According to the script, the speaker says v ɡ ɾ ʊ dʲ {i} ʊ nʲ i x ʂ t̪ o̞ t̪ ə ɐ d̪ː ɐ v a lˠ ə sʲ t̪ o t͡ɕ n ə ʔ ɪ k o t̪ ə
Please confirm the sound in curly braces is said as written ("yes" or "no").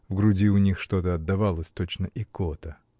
yes